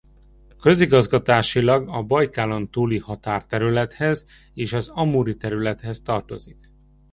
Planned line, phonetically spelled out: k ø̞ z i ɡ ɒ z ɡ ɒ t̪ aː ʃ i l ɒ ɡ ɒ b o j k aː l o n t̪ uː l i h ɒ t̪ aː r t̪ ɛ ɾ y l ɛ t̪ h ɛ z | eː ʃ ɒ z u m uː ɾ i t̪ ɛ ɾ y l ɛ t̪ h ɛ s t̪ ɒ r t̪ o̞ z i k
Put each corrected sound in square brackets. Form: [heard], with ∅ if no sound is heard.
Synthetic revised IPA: k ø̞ z i ɡ ɒ z ɡ ɒ t̪ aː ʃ i l ɒ ɡ ɒ b [ɒ] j k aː l o n t̪ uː l i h ɒ t̪ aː r t̪ ɛ ɾ y l ɛ t̪ h ɛ z | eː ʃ ɒ z [ɒ] m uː ɾ i t̪ ɛ ɾ y l ɛ t̪ h ɛ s t̪ ɒ r t̪ o̞ z i k

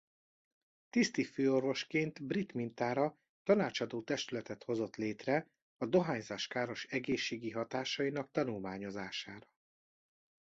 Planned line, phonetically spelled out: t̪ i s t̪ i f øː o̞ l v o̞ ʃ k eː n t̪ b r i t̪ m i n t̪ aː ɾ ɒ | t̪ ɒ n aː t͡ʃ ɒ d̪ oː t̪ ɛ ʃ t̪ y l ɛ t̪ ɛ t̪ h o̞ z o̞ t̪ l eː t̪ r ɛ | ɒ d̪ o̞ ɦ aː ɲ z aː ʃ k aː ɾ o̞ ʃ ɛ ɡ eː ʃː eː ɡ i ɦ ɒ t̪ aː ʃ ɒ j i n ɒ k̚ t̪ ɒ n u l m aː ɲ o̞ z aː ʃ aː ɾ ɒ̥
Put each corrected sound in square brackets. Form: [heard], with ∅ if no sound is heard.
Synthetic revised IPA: t̪ i s t̪ i f øː o̞ [r] v o̞ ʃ k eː n t̪ b r i t̪ m i n t̪ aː ɾ ɒ | t̪ ɒ n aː t͡ʃ ɒ d̪ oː t̪ ɛ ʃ t̪ y l ɛ t̪ ɛ t̪ h o̞ z o̞ t̪ l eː t̪ r ɛ | ɒ d̪ o̞ ɦ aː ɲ z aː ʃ k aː ɾ o̞ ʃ ɛ ɡ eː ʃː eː ɡ i ɦ ɒ t̪ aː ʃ ɒ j i n ɒ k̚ t̪ ɒ n u l m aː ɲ o̞ z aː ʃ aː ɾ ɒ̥

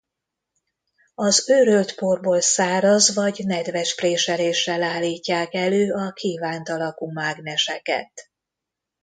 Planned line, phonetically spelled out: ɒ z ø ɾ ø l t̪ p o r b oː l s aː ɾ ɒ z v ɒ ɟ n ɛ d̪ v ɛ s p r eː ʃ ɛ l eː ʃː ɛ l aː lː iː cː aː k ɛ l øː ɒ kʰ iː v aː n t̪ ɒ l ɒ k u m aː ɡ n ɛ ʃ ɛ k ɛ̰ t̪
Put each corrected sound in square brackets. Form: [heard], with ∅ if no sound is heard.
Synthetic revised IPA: ɒ z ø ɾ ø l t̪ p o r b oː l s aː ɾ ɒ z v ɒ ɟ n ɛ d̪ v ɛ [ʃ] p r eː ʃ ɛ l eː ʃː ɛ l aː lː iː cː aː k ɛ l øː ɒ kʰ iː v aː n t̪ ɒ l ɒ k u m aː ɡ n ɛ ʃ ɛ k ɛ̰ t̪

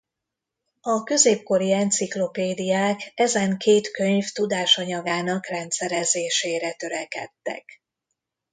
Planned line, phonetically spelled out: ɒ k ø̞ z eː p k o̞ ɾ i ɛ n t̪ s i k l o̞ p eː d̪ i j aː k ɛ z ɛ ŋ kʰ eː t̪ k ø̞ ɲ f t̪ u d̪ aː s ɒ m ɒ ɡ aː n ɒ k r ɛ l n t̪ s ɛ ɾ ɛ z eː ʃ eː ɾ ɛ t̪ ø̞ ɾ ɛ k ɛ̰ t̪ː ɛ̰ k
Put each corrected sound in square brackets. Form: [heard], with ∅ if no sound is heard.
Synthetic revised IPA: ɒ k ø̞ z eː p k o̞ ɾ i ɛ n t̪ s i k l o̞ p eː d̪ i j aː k ɛ z ɛ ŋ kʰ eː t̪ k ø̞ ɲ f t̪ u d̪ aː [ʃ] ɒ [ɲ] ɒ ɡ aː n ɒ k r ɛ [∅] n t̪ s ɛ ɾ ɛ z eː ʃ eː ɾ ɛ t̪ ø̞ ɾ ɛ k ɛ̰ t̪ː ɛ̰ k

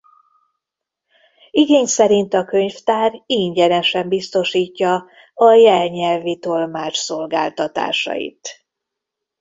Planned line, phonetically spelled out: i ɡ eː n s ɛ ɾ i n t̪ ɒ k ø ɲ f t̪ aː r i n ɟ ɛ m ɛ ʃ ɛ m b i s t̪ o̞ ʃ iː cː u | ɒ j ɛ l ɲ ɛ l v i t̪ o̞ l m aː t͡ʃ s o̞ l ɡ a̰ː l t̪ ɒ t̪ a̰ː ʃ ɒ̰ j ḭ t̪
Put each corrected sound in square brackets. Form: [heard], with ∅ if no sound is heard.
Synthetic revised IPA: i ɡ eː [ɲ] s ɛ ɾ i n t̪ ɒ k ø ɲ f t̪ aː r i [ɲ] ɟ ɛ [n] ɛ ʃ ɛ m b i s t̪ o̞ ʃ iː cː [ɒ] | ɒ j ɛ l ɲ ɛ l v i t̪ o̞ l m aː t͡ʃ s o̞ l ɡ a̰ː l t̪ ɒ t̪ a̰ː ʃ ɒ̰ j ḭ t̪

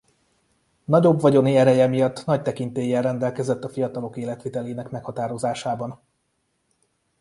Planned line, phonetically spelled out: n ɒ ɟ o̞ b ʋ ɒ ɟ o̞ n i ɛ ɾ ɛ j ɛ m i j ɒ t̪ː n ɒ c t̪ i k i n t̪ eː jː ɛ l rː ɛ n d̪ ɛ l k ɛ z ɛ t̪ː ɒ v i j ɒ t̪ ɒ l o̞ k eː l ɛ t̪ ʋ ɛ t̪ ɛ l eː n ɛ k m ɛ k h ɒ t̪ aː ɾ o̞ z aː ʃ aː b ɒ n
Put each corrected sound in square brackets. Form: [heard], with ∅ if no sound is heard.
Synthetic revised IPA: n ɒ ɟ o̞ b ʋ ɒ ɟ o̞ n i ɛ ɾ ɛ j ɛ m i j ɒ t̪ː n ɒ c t̪ [ɛ] k i n t̪ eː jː ɛ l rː ɛ n d̪ ɛ l k ɛ z ɛ t̪ː ɒ [f] i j ɒ t̪ ɒ l o̞ k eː l ɛ t̪ ʋ [i] t̪ ɛ l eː n ɛ k m ɛ k h ɒ t̪ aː ɾ o̞ z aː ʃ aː b ɒ n

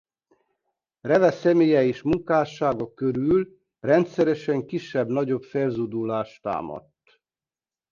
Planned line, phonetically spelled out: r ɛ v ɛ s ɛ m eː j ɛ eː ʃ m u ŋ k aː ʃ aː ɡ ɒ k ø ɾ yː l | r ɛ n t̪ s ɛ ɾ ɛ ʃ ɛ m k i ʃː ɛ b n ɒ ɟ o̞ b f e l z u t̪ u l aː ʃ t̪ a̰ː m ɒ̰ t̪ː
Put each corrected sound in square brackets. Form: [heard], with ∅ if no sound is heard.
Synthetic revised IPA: r ɛ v ɛ s ɛ m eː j ɛ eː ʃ m u ŋ k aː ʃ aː ɡ ɒ k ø ɾ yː l | r ɛ n t̪ s ɛ ɾ ɛ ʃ ɛ [ŋ] k i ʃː ɛ b n ɒ ɟ o̞ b f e l z u [d̪] u l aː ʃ t̪ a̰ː m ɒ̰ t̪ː

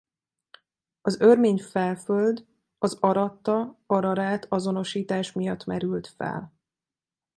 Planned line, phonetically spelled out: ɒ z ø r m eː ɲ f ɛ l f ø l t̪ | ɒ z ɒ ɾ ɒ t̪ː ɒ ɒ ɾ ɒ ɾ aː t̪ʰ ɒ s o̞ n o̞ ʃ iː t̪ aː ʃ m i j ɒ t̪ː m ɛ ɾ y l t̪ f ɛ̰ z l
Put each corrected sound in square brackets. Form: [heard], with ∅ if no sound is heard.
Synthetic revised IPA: ɒ z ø r m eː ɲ f ɛ l f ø l [d̪] | ɒ z ɒ ɾ ɒ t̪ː ɒ ɒ ɾ ɒ ɾ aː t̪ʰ ɒ [z] o̞ n o̞ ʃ iː t̪ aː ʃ m i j ɒ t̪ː m ɛ ɾ y l t̪ f ɛ̰ [∅] l

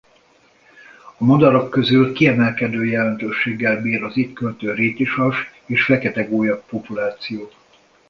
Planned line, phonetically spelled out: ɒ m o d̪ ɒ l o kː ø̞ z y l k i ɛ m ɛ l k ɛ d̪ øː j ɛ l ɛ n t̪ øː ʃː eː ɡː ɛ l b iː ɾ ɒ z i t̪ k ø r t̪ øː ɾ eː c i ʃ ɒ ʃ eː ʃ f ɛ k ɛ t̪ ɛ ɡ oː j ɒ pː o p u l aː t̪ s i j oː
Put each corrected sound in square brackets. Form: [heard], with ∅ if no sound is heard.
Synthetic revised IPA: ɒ m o d̪ ɒ [ɾ] o kː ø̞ z y l k i ɛ m ɛ l k ɛ d̪ øː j ɛ l ɛ n t̪ øː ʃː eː ɡː ɛ l b iː ɾ ɒ z i t̪ k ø [l] t̪ øː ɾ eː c i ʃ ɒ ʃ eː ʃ f ɛ k ɛ t̪ ɛ ɡ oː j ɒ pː o p u l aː t̪ s i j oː

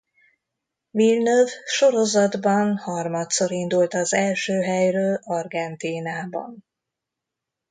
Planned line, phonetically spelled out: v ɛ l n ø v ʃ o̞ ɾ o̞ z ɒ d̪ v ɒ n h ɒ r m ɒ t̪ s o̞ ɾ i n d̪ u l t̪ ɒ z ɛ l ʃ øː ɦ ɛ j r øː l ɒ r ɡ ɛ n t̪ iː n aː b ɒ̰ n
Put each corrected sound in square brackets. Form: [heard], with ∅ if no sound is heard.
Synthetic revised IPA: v [i] l n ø v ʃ o̞ ɾ o̞ z ɒ d̪ [b] ɒ n h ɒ r m ɒ t̪ s o̞ ɾ i n d̪ u l t̪ ɒ z ɛ l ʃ øː ɦ ɛ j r øː l ɒ r ɡ ɛ n t̪ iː n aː b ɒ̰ n

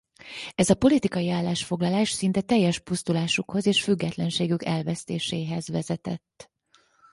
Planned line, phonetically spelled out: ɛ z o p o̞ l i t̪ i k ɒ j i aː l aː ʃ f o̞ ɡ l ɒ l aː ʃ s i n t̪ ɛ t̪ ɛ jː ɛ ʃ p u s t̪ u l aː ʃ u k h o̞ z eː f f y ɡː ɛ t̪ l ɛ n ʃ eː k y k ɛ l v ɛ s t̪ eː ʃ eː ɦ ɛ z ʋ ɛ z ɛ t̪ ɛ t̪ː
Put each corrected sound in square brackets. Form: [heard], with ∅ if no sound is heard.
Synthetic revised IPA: ɛ z [ɒ] p o̞ l i t̪ i k ɒ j i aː [lː] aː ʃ f o̞ ɡ l ɒ l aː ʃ s i n t̪ ɛ t̪ ɛ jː ɛ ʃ p u s t̪ u l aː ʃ u k h o̞ z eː [ʃ] f y ɡː ɛ t̪ l ɛ n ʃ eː [ɡ] y k ɛ l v ɛ s t̪ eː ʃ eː ɦ ɛ z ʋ ɛ z ɛ t̪ ɛ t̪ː

